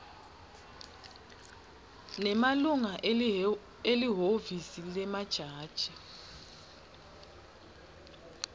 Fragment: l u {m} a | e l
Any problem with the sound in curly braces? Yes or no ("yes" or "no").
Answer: yes